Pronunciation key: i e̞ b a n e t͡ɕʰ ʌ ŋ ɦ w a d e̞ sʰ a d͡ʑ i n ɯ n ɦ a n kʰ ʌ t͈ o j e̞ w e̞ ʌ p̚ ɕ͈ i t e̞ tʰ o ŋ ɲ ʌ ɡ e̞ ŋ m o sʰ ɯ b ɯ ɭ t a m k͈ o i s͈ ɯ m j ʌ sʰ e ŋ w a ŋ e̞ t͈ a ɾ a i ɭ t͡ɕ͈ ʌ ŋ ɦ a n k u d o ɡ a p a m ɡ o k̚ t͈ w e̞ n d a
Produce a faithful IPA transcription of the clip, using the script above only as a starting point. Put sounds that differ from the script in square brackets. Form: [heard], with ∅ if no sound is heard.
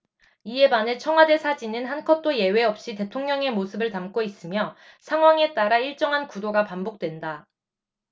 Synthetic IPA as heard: i e̞ b a n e t͡ɕʰ ʌ ŋ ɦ w a d e̞ sʰ a d͡ʑ i n ɯ n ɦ a n kʰ ʌ t͈ o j e̞ w e̞ ʌ p̚ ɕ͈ i t e̞ tʰ o ŋ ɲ ʌ [ŋ] e̞ [∅] m o sʰ ɯ b ɯ ɭ t a m k͈ o i s͈ ɯ m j ʌ sʰ [a] ŋ w a ŋ e̞ t͈ a ɾ a i ɭ t͡ɕ͈ ʌ ŋ ɦ a n k u d o ɡ a p a m [b] o k̚ t͈ w e̞ n d a